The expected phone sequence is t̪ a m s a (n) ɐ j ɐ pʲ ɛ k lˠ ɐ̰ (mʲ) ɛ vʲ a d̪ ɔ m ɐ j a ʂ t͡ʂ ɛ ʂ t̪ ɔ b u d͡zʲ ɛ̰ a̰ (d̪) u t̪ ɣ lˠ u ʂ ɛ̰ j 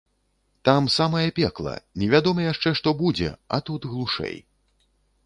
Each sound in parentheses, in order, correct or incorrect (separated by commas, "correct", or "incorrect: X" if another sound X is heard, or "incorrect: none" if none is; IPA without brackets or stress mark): incorrect: m, incorrect: nʲ, incorrect: t̪